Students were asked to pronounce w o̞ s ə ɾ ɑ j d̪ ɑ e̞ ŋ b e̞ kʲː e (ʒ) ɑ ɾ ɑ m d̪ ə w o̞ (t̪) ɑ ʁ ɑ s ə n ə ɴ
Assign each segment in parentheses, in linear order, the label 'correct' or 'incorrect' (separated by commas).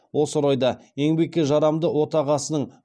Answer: correct, correct